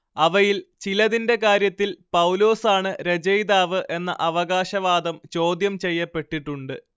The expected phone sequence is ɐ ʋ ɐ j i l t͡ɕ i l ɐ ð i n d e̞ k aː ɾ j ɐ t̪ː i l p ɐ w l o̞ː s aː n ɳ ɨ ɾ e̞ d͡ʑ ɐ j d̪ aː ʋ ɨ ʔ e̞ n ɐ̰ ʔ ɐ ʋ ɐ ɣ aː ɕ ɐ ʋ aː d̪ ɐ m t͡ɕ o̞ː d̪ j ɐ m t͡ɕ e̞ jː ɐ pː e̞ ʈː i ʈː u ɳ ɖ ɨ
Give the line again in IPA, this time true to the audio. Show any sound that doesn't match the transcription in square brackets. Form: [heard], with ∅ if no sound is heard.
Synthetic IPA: ɐ ʋ ɐ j i l t͡ɕ i l ɐ ð i n d e̞ k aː ɾ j ɐ t̪ː i l p ɐ w l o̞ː s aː [∅] ɳ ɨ ɾ e̞ d͡ʑ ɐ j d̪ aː ʋ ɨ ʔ e̞ [nː] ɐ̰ ʔ ɐ ʋ ɐ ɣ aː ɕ ɐ ʋ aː d̪ ɐ m t͡ɕ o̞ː d̪ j ɐ m t͡ɕ e̞ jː ɐ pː e̞ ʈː i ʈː u ɳ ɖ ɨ

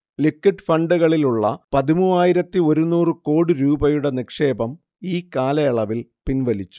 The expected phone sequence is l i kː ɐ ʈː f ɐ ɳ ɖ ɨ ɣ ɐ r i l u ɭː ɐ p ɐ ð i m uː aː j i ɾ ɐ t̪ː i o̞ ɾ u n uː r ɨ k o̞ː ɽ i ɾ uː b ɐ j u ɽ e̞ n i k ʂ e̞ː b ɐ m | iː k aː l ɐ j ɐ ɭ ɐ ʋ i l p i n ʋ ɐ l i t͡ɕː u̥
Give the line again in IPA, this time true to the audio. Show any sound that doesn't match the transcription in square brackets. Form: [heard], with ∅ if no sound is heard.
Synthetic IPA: l i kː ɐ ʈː f ɐ ɳ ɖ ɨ ɣ ɐ [ɭ] i l u ɭː ɐ p ɐ ð i m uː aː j i ɾ ɐ t̪ː i o̞ ɾ u n uː r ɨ k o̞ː ɽ i ɾ uː b ɐ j u ɽ e̞ n i k ʂ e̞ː b ɐ m | iː k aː l ɐ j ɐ ɭ ɐ ʋ i l p i n ʋ ɐ l i t͡ɕː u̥

